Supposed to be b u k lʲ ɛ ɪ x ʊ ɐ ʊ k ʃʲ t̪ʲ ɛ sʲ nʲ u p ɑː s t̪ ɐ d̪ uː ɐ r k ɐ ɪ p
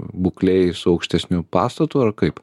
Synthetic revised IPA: b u k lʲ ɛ ɪ s ʊ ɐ ʊ k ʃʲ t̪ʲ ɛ sʲ nʲ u p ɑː s t̪ ɐ t̪ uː ɐ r k ɐ ɪ p